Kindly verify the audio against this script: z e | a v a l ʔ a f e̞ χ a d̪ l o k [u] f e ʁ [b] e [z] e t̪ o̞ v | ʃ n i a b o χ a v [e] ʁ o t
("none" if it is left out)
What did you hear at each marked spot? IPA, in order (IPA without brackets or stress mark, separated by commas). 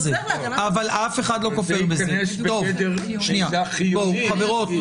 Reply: o, b, z, e